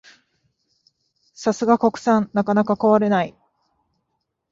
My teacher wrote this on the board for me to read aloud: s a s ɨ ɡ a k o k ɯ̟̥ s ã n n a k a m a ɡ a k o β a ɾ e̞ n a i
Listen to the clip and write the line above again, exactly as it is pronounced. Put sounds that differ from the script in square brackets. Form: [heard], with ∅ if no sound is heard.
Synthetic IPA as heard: s a s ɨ ɡ a k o k ɯ̟̥ s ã n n a k a [n] a [k] a k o β a ɾ e̞ n a i

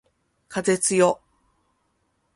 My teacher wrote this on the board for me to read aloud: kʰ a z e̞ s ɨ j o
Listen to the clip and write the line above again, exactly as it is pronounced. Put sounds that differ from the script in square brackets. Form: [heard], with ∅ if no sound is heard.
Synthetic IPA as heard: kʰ a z e̞ [t͡s] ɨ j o

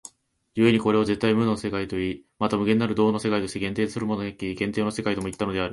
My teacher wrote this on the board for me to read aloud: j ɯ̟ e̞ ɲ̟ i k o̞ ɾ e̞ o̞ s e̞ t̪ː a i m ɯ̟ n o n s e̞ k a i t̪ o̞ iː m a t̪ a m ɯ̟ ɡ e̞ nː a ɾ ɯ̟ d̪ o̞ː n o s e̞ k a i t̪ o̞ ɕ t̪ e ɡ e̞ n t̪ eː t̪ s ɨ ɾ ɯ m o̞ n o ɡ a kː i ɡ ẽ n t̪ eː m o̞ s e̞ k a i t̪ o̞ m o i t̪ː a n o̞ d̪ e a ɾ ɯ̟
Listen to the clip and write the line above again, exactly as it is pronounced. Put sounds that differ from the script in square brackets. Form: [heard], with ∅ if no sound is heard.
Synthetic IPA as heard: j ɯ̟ e̞ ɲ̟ i k o̞ ɾ e̞ o̞ [z] e̞ t̪ː a i m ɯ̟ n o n s e̞ k a i t̪ o̞ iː m a t̪ a m ɯ̟ ɡ e̞ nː a ɾ ɯ̟ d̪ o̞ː n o s e̞ k a i t̪ o̞ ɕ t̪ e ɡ [ẽ̞] n t̪ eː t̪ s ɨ ɾ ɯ m o̞ n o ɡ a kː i ɡ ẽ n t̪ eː [n] o̞ s e̞ k a i t̪ o̞ m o i t̪ː a n o̞ d̪ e a ɾ ɯ̟

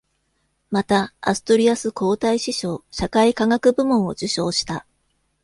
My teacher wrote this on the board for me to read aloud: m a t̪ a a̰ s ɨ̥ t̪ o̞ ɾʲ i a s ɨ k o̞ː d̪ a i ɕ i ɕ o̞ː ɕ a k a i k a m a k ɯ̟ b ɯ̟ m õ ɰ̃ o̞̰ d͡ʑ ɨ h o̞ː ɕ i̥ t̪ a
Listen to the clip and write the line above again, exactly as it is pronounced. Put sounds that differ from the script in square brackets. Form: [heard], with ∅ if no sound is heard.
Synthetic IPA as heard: m a t̪ a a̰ s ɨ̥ t̪ o̞ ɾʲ i a s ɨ k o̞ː [t̪] a i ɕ i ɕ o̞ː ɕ a k a i k a [ŋ] a k ɯ̟ b ɯ̟ m õ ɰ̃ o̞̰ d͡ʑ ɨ [ɕ] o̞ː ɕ i̥ t̪ a

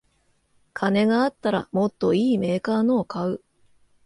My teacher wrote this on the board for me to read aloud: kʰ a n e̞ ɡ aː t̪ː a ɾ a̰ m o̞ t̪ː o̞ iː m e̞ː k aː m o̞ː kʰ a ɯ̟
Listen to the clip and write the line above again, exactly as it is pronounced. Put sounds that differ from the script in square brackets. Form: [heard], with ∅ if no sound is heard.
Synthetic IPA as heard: kʰ a n e̞ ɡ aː t̪ː a ɾ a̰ m o̞ t̪ː o̞ iː m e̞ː k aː [n] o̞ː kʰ a ɯ̟

